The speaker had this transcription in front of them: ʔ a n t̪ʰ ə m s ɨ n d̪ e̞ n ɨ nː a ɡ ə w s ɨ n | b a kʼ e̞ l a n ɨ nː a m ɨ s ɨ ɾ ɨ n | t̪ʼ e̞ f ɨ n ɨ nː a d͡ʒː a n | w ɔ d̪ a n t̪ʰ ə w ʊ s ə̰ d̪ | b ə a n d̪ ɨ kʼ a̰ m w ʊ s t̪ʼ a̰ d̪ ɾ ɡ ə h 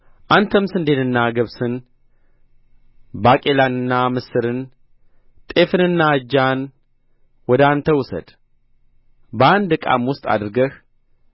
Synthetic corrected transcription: ʔ a n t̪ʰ ə m s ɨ n d̪ e̞ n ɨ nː a ɡ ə β s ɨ n | b a kʼ e̞ l a n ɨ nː a m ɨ s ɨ ɾ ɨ n | t̪ʼ e̞ f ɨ n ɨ nː a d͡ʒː a n | w ɔ d̪ a n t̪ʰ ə w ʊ s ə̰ d̪ | b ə a n d̪ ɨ kʼ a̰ m w ʊ s t̪ʼ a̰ d̪ ɾ ɡ ə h